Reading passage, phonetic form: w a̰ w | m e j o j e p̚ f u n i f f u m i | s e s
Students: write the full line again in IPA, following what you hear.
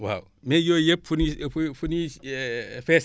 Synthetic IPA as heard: w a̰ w | m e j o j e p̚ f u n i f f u n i | f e s